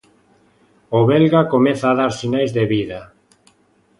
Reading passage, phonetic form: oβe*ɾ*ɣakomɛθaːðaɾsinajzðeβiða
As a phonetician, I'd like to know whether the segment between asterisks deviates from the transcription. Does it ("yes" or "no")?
yes